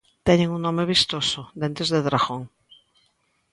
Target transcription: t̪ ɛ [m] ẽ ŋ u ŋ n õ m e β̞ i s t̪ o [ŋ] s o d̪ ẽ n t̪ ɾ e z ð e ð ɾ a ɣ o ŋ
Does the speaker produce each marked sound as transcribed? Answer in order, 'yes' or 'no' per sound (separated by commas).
no, no